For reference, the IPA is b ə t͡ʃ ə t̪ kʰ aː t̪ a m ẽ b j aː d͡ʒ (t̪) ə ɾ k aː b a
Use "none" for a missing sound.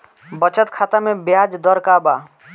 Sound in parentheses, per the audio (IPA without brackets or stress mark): d̪